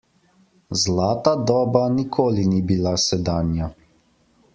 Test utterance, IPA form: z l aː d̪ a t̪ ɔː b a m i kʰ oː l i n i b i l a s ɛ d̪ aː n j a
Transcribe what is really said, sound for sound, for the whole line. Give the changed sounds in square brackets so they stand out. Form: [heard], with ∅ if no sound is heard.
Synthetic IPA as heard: z l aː [t̪] a [d̪] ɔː b a [n] i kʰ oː l i n i b i l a s ɛ d̪ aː n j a